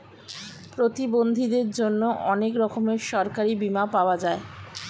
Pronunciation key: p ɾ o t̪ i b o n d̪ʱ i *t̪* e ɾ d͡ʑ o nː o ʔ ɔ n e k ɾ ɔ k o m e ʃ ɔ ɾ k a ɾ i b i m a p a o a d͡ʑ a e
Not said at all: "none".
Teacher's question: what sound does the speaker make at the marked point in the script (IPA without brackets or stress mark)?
d̪